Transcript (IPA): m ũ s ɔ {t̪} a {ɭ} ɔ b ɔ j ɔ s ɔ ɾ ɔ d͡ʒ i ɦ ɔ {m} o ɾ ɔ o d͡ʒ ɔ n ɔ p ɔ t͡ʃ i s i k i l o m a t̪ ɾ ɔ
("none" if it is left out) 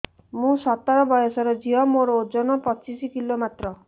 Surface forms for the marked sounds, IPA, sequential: t̪, ɾ, m

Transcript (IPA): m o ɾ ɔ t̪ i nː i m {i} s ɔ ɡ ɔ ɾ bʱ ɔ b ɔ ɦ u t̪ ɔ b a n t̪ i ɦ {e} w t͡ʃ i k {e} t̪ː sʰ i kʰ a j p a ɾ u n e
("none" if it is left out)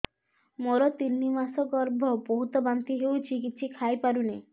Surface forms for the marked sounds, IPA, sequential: a, e, i

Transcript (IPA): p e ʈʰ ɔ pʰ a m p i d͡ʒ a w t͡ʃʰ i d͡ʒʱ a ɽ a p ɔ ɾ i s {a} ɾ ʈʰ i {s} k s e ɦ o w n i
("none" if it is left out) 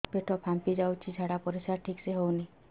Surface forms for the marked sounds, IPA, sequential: a, none

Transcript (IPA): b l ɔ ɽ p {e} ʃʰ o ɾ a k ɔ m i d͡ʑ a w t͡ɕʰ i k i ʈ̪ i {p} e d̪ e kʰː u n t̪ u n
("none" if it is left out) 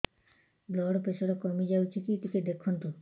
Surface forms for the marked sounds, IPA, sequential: e, k

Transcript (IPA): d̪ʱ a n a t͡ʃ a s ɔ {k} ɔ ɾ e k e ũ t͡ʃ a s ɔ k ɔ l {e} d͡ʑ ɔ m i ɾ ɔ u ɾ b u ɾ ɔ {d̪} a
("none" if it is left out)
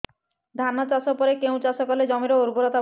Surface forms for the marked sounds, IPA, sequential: p, e, t̪

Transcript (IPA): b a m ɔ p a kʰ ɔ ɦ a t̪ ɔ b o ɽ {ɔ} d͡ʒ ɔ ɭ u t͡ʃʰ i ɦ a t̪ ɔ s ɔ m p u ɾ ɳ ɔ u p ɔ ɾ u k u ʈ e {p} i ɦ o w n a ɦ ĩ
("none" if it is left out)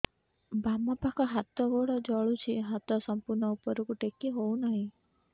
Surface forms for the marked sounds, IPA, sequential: ɔ, k

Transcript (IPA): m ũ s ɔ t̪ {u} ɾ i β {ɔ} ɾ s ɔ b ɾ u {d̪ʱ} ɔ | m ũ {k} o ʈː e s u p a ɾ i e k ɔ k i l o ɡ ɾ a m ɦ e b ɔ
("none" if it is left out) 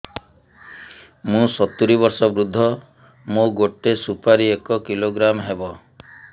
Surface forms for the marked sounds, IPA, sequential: u, ɔ, d̪ʱː, ɡ

